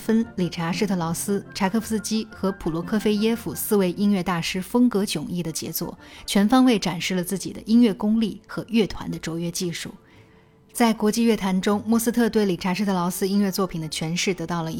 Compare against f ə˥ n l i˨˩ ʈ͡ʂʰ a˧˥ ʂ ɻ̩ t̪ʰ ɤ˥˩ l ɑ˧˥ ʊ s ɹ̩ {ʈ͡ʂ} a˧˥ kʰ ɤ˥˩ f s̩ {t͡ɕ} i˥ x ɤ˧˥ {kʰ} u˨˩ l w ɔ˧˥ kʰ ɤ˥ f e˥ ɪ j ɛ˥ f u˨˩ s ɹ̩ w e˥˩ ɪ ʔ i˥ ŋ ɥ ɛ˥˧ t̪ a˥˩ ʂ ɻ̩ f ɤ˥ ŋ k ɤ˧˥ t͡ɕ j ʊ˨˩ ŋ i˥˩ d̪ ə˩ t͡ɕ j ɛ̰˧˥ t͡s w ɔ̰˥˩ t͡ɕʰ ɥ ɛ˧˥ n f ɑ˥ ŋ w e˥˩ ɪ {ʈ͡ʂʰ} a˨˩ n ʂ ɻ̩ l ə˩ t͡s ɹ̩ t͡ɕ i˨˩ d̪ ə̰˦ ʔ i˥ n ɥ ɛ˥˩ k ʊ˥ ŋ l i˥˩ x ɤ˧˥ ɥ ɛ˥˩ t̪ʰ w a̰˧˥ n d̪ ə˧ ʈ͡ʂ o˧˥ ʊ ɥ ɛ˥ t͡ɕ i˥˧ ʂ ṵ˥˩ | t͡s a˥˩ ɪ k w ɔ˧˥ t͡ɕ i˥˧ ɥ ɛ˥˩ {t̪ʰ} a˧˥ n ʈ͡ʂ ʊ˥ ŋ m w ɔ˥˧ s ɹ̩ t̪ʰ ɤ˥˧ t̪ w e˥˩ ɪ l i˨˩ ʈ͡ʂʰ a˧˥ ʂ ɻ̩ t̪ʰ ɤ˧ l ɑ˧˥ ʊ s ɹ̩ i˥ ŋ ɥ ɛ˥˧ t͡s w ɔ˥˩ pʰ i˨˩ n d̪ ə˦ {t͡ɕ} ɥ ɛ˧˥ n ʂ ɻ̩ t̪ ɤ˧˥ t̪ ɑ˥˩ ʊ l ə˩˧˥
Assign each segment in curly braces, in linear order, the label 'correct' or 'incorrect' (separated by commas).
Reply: incorrect, correct, incorrect, incorrect, correct, incorrect